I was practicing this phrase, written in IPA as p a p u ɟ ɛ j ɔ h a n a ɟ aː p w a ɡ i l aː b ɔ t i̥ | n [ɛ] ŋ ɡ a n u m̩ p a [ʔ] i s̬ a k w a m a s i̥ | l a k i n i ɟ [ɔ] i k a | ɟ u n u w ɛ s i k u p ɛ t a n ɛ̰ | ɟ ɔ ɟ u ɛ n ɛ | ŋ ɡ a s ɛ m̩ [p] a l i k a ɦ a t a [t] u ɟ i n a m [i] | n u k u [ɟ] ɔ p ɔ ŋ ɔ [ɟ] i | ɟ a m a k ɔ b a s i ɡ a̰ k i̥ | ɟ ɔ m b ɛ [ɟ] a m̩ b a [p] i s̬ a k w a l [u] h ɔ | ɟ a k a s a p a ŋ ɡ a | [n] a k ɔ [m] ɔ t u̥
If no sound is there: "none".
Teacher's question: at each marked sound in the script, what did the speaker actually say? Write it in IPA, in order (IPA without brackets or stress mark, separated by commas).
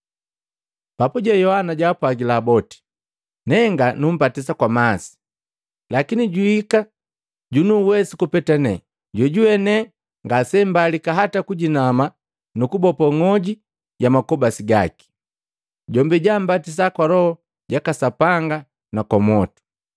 ɛ, t, u, b, k, a, b, ɟ, ɟ, t, ɔ, n, m